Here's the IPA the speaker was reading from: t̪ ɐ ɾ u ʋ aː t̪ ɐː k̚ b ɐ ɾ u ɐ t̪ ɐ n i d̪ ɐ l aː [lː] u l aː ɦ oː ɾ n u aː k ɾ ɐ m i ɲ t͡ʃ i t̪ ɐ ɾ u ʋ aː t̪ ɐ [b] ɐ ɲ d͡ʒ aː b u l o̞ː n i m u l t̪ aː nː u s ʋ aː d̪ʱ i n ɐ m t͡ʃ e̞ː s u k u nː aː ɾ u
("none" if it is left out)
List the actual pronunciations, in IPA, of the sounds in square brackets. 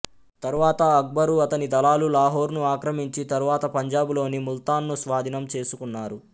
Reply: l, p

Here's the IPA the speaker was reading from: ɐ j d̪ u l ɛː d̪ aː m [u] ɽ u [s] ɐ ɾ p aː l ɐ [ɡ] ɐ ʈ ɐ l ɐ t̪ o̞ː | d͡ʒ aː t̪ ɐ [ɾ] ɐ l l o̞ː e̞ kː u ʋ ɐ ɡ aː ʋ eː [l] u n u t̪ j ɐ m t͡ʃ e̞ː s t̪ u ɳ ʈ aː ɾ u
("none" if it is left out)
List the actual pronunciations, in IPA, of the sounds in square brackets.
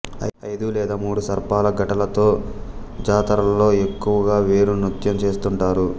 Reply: uː, s, ɡ, ɾ, ɾ

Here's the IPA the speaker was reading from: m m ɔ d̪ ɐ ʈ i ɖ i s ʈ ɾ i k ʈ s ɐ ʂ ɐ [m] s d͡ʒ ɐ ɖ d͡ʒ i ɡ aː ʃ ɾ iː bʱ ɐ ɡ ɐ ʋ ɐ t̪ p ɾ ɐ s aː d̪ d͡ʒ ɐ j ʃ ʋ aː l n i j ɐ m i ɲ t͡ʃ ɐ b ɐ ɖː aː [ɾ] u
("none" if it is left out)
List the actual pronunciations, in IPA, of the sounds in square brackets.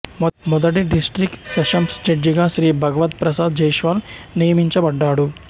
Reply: m, ɽ

